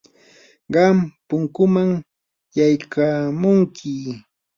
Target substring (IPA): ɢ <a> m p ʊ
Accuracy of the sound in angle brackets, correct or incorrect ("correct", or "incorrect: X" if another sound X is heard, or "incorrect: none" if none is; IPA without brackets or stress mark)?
incorrect: ɑ